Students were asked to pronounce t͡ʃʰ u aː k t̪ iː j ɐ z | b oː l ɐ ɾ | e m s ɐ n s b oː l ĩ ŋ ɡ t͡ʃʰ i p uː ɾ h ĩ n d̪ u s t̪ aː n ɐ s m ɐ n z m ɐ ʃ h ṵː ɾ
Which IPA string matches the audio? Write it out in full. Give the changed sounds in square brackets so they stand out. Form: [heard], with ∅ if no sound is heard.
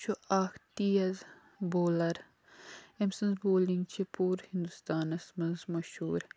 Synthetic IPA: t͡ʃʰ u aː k t̪ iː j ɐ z | b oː l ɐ ɾ | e m s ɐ n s b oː l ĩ ŋ ɡ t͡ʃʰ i p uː ɾ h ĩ n d̪ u s t̪ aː n ɐ s m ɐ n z m ɐ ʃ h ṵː ɾ